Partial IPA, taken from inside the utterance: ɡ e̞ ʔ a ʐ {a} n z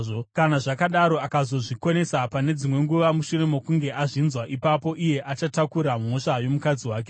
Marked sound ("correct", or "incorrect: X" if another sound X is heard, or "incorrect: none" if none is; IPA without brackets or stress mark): incorrect: i